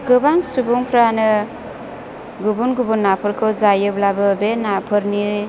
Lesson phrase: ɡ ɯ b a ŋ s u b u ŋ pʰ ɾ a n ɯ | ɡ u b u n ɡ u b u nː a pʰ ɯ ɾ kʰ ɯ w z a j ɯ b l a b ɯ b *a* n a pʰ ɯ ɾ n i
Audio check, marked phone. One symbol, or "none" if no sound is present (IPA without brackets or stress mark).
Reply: e